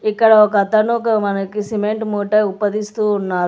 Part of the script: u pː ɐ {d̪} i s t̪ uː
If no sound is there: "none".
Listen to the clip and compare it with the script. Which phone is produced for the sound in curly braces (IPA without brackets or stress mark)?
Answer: d̪